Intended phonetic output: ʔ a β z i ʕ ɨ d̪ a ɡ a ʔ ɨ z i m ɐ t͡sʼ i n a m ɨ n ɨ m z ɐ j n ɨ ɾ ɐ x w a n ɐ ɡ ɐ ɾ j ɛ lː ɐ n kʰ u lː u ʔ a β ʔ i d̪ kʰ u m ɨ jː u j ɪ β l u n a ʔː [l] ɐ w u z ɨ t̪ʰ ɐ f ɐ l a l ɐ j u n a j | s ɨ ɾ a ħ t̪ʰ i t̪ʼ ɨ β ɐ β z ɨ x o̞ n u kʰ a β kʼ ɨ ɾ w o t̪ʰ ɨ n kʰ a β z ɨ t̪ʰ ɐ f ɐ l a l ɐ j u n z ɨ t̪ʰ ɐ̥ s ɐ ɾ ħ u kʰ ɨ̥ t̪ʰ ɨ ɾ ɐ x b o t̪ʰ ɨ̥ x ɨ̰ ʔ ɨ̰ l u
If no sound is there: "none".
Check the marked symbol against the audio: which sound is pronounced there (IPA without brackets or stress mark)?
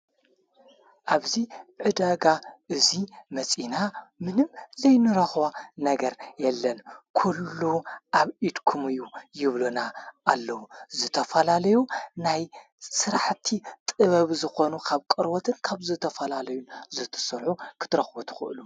lː